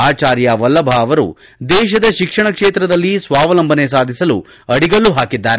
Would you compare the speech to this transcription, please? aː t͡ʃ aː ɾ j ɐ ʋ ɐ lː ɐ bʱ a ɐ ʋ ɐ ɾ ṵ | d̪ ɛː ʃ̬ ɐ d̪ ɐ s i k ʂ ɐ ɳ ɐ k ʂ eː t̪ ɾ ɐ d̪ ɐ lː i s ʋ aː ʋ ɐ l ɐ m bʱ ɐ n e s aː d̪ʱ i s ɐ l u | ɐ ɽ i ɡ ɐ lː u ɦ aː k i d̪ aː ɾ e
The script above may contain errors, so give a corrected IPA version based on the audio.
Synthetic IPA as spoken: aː t͡ʃ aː ɾ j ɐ ʋ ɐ lː ɐ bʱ a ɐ ʋ ɐ ɾ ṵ | d̪ ɛː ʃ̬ ɐ d̪ ɐ ʃ i k ʂ ɐ ɳ ɐ k ʂ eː t̪ ɾ ɐ d̪ ɐ lː i s ʋ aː ʋ ɐ l ɐ m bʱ ɐ n e s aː d̪ʱ i s ɐ l u | ɐ ɽ i ɡ ɐ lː u ɦ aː k i d̪ː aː ɾ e